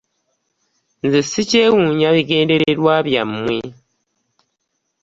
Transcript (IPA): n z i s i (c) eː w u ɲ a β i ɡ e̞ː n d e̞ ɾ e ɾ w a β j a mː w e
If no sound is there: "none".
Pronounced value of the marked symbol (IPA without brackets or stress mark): c